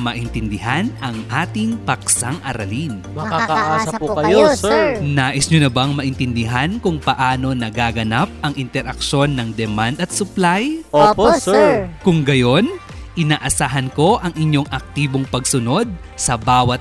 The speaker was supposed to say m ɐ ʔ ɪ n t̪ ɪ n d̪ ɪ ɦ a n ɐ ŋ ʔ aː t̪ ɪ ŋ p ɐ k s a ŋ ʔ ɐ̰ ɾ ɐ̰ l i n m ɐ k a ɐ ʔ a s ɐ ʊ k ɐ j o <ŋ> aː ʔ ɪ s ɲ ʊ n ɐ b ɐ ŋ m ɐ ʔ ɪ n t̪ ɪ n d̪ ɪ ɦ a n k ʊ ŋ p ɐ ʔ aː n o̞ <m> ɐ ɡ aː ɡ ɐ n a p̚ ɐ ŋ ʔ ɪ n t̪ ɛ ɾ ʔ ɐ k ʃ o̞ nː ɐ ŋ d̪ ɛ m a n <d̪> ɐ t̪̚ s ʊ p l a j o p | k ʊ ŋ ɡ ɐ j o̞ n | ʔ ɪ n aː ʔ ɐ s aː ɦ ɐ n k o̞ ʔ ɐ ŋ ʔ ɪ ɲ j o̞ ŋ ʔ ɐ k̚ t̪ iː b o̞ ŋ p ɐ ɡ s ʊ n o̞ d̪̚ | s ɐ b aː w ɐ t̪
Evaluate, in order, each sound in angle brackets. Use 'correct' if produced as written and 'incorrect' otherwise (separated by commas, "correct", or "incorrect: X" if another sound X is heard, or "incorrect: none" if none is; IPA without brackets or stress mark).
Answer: incorrect: n, incorrect: n, correct